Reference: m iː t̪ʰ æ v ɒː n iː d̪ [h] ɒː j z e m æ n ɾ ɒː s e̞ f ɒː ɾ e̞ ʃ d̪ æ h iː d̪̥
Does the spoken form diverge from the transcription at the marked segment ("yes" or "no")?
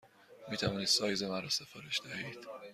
yes